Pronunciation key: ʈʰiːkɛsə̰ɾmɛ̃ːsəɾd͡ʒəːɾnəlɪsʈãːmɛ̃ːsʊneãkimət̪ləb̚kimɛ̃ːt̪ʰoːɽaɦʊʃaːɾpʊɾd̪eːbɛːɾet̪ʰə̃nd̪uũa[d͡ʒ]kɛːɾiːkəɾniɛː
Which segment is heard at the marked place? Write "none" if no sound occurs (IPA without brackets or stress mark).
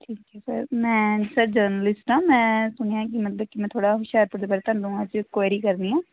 d͡ʒ